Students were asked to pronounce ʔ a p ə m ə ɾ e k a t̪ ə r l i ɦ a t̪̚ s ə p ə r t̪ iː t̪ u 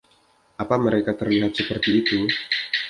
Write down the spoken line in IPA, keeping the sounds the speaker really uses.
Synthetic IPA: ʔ a p a m ə ɾ e k a t̪ ə r l i ɦ a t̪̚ s ə p ə r t̪ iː t̪ u